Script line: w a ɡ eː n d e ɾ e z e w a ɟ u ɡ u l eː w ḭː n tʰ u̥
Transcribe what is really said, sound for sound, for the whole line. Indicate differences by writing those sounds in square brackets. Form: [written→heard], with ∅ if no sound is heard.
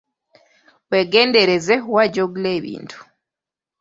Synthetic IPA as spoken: w [a→e] ɡ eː n d e ɾ e z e w a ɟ [u→o] ɡ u l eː [w→β] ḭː n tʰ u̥